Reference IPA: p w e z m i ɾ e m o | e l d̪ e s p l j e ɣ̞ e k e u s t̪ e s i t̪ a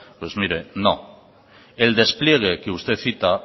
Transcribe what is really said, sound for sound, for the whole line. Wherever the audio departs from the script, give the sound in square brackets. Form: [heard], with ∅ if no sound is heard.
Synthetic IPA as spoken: p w e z m i ɾ e [n] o | e l d̪ e s p l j e ɣ̞ e k e u s t̪ e [θ] i t̪ a